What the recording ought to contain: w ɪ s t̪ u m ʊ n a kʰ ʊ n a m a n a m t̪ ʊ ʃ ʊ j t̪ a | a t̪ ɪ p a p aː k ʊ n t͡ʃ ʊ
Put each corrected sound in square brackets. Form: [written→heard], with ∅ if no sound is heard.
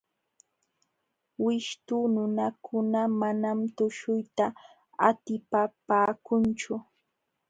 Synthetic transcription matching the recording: w ɪ [s→ʃ] t̪ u [m→n] ʊ n a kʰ ʊ n a m a n a m t̪ ʊ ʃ ʊ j t̪ a | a t̪ ɪ p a p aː k ʊ n t͡ʃ ʊ